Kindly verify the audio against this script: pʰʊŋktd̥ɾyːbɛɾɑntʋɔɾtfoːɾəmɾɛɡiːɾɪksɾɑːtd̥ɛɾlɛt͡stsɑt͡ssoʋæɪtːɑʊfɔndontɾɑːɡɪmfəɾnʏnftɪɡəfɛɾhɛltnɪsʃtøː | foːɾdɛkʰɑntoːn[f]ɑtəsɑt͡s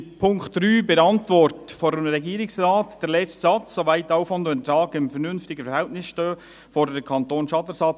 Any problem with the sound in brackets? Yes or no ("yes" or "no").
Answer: yes